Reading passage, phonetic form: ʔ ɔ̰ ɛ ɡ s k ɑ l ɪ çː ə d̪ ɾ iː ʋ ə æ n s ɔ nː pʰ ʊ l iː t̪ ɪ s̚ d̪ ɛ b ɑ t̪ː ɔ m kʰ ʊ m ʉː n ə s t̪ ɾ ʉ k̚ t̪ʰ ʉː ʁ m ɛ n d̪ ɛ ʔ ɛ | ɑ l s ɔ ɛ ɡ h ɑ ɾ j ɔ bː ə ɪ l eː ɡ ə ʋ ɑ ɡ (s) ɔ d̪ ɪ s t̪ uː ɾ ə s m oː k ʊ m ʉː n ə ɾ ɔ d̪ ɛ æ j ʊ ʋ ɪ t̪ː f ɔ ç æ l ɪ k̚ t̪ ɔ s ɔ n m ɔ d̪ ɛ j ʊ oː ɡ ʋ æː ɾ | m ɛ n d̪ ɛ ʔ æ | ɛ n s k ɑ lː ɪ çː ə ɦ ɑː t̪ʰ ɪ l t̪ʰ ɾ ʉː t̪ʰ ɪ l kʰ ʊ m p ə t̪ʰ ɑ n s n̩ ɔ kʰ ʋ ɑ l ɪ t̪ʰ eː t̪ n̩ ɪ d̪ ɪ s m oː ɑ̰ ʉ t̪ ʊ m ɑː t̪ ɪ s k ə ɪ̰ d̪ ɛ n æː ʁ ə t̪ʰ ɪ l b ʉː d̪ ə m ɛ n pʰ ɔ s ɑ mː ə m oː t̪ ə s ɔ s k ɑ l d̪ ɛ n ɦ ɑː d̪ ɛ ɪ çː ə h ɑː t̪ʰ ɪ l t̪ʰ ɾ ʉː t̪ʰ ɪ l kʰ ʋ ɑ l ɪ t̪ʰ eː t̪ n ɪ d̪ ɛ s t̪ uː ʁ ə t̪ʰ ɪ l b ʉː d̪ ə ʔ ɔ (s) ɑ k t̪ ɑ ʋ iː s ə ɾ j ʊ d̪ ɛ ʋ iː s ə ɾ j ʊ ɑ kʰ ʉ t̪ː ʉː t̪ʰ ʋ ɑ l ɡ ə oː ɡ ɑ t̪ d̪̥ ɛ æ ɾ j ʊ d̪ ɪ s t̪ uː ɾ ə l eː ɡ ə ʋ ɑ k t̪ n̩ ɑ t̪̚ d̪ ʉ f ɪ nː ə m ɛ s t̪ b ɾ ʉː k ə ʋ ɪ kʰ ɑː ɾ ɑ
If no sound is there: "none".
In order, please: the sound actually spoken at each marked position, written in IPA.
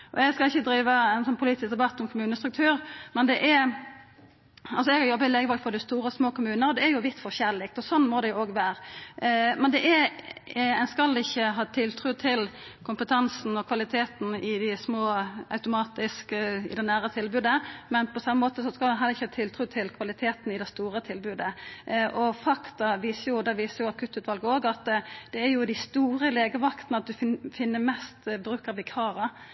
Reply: f, f

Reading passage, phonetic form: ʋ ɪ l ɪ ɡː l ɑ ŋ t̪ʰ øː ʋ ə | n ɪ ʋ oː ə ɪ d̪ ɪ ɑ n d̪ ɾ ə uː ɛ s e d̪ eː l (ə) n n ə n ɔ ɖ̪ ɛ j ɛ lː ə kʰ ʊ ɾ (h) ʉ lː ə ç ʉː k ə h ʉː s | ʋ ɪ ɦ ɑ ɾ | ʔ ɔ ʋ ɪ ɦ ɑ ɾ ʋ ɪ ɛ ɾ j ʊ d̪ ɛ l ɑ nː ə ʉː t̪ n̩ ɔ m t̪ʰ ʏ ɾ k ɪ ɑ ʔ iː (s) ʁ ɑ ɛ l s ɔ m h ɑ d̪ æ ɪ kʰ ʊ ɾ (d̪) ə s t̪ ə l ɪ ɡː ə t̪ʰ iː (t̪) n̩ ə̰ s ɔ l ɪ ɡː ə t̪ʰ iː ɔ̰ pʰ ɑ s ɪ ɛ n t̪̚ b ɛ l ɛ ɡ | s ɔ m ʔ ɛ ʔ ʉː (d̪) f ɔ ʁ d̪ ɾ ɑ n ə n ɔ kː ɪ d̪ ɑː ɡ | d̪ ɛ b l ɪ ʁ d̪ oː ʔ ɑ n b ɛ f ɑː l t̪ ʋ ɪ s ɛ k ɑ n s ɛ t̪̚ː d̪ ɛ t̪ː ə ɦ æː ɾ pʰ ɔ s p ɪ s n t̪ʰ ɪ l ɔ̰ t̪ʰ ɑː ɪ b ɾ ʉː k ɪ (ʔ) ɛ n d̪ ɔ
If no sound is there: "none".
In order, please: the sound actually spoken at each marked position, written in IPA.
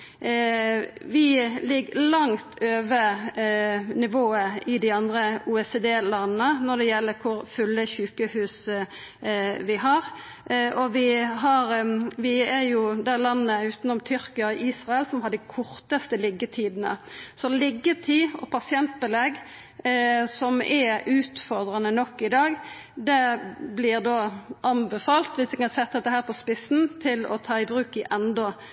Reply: ɑ, f, s, t̪, d̪, t̪, ʔ

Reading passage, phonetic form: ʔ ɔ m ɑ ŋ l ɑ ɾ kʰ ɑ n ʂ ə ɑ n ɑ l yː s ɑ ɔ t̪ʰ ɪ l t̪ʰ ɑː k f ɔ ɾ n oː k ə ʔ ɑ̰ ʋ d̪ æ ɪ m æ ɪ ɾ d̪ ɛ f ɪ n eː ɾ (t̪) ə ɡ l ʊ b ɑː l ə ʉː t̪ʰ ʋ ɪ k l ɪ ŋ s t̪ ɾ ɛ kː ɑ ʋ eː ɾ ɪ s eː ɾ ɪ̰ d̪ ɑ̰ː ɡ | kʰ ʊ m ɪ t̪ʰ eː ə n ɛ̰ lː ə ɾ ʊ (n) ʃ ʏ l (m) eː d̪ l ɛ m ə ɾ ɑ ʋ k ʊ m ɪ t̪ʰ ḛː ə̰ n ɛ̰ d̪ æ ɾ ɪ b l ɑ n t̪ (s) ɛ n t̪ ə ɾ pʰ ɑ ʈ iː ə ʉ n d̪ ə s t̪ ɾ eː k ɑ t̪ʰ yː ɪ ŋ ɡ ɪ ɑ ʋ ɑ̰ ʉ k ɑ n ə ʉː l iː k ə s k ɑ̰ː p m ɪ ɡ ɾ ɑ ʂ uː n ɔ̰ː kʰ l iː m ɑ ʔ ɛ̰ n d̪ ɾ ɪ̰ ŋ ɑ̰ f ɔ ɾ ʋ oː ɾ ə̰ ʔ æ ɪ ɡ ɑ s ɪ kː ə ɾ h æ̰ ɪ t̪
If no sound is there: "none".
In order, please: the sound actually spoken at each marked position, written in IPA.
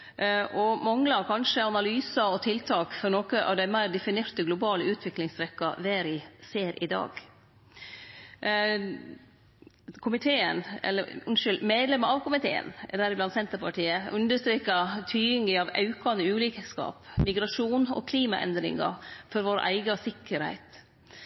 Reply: t̪, n, m, s

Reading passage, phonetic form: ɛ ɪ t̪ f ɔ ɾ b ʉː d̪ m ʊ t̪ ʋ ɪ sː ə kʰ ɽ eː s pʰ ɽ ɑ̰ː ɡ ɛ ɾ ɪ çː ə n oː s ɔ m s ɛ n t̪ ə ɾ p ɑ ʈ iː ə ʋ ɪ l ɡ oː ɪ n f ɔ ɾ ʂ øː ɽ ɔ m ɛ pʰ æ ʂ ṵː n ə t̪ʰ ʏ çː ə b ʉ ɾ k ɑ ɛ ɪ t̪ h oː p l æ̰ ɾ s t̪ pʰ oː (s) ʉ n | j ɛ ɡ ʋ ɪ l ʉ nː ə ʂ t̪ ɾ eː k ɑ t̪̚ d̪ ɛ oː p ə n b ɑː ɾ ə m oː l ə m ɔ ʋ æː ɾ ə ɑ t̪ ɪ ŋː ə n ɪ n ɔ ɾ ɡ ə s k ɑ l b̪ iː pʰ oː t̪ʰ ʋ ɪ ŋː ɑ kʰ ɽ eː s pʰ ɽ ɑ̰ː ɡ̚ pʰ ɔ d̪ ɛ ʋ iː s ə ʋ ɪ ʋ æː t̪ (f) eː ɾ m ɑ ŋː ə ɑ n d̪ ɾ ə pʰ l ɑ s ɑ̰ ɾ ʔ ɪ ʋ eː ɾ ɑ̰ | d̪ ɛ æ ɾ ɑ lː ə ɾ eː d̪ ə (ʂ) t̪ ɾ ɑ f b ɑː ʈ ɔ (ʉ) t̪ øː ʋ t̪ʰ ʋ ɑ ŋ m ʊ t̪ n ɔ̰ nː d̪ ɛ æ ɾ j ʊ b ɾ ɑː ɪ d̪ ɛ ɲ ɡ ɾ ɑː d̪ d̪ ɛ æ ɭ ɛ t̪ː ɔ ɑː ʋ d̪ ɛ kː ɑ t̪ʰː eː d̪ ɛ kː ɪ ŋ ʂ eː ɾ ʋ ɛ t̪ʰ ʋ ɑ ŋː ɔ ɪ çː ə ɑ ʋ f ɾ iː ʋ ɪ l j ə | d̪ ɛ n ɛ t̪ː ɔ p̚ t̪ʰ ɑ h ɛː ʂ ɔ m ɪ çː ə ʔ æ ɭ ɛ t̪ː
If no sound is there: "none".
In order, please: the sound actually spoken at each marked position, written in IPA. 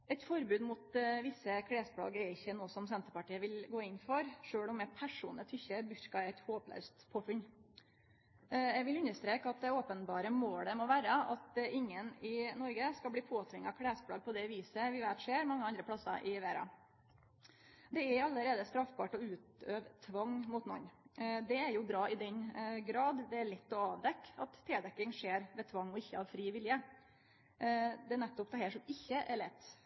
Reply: f, ʂ, s, ʉː

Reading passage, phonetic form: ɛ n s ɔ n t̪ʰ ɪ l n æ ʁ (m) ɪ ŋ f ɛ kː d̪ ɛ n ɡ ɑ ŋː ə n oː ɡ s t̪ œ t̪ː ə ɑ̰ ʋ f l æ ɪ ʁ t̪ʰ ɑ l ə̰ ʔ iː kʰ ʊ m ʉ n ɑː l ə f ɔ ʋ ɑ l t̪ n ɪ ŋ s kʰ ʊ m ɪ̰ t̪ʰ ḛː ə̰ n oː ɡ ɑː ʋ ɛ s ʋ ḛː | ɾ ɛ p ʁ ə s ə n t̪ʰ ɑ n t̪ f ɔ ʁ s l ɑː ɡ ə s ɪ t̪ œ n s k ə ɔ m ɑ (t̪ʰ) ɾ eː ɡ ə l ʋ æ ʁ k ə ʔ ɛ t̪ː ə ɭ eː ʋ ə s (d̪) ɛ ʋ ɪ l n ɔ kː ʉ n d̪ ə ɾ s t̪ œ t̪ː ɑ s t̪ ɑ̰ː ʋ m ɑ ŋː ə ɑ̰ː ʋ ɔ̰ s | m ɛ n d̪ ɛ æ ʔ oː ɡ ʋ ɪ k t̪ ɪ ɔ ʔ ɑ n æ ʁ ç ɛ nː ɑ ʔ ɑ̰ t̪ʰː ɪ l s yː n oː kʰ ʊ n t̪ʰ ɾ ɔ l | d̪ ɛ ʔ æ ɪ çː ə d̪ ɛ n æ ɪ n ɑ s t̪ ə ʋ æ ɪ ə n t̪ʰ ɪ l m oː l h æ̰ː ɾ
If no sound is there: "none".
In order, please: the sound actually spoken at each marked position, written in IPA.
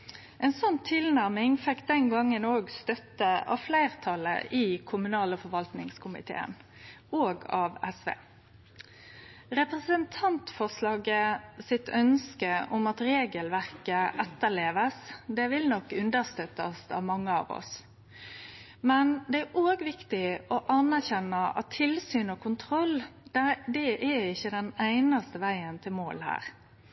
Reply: m, t̪, d̪

